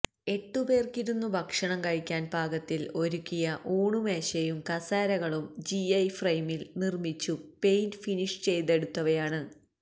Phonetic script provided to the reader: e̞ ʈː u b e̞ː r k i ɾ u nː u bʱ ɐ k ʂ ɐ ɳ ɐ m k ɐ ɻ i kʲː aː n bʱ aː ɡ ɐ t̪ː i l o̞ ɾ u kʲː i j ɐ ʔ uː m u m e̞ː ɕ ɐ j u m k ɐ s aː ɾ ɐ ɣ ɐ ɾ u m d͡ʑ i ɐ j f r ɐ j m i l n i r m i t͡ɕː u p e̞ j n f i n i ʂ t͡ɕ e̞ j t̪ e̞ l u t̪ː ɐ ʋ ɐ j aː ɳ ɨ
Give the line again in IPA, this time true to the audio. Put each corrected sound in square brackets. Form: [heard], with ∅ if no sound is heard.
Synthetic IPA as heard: e̞ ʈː u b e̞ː r k i ɾ u nː u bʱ ɐ k ʂ ɐ ɳ ɐ m k ɐ ɻ i kʲː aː n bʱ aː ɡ ɐ t̪ː i l o̞ ɾ u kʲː i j ɐ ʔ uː [ɳ] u m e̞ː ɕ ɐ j u m k ɐ s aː ɾ ɐ ɣ ɐ [ɭ] u m d͡ʑ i ɐ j f r ɐ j m i l n i r m i t͡ɕː u p e̞ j n f i n i ʂ t͡ɕ e̞ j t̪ e̞ [ɽ] u t̪ː ɐ ʋ ɐ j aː ɳ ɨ

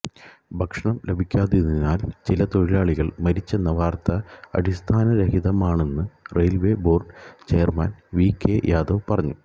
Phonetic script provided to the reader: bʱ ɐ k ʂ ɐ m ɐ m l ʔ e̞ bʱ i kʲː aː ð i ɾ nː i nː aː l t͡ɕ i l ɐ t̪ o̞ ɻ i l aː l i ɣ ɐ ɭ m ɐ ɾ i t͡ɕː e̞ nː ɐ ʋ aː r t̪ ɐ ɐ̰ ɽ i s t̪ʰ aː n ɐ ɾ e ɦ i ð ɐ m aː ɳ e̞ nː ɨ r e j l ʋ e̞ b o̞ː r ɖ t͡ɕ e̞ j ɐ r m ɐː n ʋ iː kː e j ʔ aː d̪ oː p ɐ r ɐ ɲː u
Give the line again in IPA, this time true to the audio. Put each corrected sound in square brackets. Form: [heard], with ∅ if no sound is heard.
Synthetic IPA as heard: bʱ ɐ k ʂ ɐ [ɳ] ɐ m l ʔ e̞ bʱ i kʲː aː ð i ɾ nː i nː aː l t͡ɕ i l ɐ t̪ o̞ ɻ i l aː [ɭ] i ɣ ɐ ɭ m ɐ ɾ i t͡ɕː e̞ nː ɐ ʋ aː r t̪ ɐ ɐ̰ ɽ i s t̪ʰ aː n ɐ ɾ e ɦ i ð ɐ m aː ɳ e̞ nː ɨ r e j l ʋ e̞ b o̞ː r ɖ t͡ɕ e̞ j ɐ r m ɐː n ʋ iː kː e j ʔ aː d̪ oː p ɐ r ɐ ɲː u

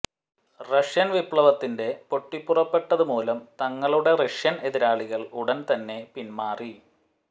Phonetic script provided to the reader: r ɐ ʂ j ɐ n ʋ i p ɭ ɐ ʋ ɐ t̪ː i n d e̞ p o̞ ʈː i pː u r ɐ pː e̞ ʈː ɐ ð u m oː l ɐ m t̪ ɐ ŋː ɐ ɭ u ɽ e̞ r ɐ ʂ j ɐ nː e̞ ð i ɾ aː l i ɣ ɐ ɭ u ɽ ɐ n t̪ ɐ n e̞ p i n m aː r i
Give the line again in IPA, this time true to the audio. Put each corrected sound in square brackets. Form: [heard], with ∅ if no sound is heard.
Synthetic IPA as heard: r ɐ ʂ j ɐ n ʋ i p ɭ ɐ ʋ ɐ t̪ː i n d e̞ p o̞ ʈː i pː u r ɐ pː e̞ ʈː ɐ ð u m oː l ɐ m t̪ ɐ ŋː ɐ ɭ u ɽ e̞ r ɐ ʂ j ɐ [n] e̞ ð i ɾ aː [ɭ] i ɣ ɐ ɭ u ɽ ɐ n t̪ ɐ [nː] e̞ p i n m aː r i

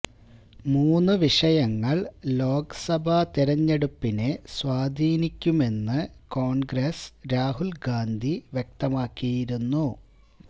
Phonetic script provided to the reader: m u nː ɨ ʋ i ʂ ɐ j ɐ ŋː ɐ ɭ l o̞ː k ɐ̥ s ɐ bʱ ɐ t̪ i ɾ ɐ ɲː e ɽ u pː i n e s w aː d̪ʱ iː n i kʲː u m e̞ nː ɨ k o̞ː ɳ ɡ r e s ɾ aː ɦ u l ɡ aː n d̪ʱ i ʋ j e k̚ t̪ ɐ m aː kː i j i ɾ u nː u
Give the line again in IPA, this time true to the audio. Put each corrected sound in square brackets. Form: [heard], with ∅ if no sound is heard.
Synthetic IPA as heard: m [uː] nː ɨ ʋ i ʂ ɐ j ɐ ŋː ɐ ɭ l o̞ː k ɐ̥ s ɐ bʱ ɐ t̪ i ɾ ɐ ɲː e ɽ u pː i n e s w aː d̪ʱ iː n i kʲː u m e̞ nː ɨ k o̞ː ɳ ɡ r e s ɾ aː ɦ u l ɡ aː n d̪ʱ i ʋ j e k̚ t̪ ɐ m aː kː i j i ɾ u nː u

